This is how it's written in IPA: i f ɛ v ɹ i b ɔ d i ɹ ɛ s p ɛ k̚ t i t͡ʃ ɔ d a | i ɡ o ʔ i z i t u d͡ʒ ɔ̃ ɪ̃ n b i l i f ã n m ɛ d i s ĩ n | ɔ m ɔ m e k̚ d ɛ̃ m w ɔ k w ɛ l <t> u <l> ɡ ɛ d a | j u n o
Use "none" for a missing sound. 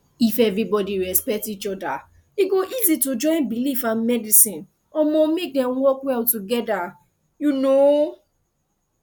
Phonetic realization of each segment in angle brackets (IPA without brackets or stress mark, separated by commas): t, none